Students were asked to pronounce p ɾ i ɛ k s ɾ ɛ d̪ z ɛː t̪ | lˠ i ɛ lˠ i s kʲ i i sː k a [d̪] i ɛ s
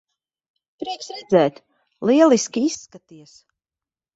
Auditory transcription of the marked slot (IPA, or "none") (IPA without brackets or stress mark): t̪